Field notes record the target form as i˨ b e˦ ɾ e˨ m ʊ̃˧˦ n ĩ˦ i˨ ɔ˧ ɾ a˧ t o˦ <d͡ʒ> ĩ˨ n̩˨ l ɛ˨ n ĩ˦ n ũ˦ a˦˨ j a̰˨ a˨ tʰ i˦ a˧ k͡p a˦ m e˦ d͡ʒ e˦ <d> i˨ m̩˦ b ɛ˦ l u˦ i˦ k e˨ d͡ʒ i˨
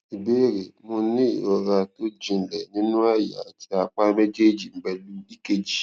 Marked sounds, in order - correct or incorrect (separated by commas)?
correct, incorrect